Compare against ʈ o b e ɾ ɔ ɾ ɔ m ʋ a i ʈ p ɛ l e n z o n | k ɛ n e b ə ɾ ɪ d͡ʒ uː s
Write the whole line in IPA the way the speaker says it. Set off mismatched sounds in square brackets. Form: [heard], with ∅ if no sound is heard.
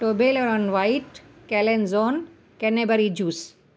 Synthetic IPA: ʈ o b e [l] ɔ ɾ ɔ [n] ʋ a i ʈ [k] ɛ l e n z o n | k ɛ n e b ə ɾ [i] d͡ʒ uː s